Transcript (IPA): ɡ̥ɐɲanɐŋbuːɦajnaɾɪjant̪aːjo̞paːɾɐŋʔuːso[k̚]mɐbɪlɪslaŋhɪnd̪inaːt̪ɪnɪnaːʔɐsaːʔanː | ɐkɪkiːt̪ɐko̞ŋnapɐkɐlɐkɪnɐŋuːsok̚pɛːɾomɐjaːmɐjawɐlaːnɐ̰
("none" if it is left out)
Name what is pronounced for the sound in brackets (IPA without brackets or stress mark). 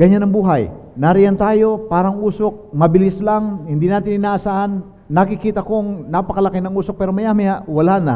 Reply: k̚